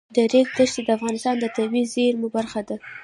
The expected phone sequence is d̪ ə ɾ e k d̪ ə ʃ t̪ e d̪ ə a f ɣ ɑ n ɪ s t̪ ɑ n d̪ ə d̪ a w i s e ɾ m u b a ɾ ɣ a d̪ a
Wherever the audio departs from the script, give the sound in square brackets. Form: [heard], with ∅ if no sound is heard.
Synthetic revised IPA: d̪ ə ɾ e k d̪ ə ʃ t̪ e d̪ ə a f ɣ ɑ n ɪ s t̪ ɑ n d̪ ə [t̪] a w i [z] e ɾ m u b a ɾ [x] a d̪ a